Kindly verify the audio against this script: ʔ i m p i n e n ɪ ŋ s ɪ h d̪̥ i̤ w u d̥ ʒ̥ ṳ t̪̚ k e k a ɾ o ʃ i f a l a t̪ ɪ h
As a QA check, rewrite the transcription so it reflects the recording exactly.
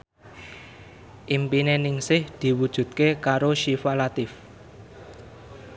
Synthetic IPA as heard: ʔ i m p i n e n ɪ ŋ s ɪ h d̪̥ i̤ w u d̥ ʒ̥ ṳ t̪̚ k e k a ɾ o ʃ i f a l a t̪ ɪ f